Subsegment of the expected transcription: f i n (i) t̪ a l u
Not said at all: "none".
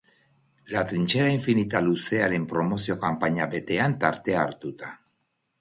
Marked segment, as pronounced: i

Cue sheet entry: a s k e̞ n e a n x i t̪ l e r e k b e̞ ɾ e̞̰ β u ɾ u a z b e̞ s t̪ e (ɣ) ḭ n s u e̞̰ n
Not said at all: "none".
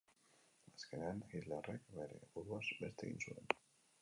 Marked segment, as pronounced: ɣ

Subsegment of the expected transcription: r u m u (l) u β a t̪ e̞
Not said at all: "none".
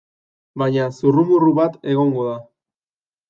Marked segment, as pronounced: r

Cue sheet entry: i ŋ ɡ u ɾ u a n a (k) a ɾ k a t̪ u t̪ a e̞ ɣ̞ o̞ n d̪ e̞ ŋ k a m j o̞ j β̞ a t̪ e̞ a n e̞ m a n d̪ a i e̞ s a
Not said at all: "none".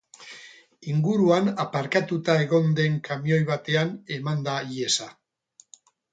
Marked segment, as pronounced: p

